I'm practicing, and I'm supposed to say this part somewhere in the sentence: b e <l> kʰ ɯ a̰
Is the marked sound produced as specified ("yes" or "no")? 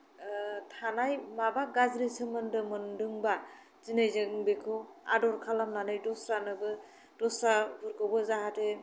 no